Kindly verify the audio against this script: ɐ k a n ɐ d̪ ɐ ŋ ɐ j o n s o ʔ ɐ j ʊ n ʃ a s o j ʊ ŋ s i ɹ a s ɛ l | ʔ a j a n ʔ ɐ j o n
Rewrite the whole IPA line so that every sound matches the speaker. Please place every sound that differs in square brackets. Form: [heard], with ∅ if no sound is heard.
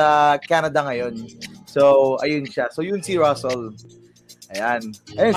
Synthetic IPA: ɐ k a n ɐ d̪ ɐ ŋ ɐ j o n s o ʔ ɐ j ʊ n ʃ a s o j ʊ [n] s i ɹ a s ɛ l | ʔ [ɐ] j a n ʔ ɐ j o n